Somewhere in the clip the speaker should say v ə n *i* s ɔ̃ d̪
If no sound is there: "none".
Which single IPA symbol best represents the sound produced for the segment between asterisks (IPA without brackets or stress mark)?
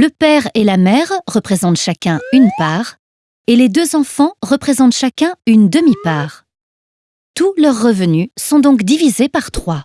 y